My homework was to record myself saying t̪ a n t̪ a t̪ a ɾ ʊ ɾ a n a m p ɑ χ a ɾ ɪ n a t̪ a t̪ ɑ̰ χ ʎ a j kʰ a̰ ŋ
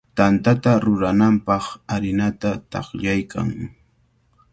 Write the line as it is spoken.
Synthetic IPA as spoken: t̪ a n t̪ a t̪ a ɾ ʊ ɾ a n a m p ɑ χ a ɾ ɪ n a t̪ a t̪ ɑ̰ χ ʎ a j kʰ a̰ ŋ